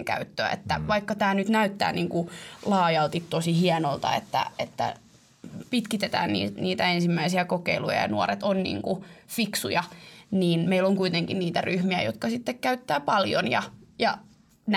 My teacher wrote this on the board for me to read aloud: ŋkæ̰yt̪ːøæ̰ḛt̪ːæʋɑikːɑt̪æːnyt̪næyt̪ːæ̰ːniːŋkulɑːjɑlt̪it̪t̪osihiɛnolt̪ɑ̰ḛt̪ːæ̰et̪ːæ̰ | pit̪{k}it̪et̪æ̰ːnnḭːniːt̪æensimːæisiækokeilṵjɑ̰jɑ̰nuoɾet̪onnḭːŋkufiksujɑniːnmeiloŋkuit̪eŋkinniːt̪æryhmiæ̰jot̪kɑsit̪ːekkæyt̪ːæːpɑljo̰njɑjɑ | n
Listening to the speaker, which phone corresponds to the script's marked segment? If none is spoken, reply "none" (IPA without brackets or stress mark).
k